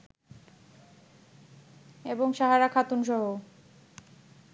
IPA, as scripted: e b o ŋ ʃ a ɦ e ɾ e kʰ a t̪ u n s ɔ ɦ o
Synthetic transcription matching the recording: e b o ŋ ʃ a ɦ a ɾ a kʰ a t̪ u n ʃ ɔ ɦ o